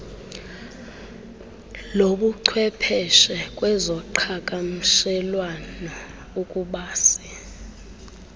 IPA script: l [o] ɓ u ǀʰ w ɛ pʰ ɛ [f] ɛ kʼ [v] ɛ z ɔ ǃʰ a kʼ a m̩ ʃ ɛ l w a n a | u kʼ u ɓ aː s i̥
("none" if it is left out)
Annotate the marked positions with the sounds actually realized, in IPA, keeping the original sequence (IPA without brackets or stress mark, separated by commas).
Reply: o, ʃ, w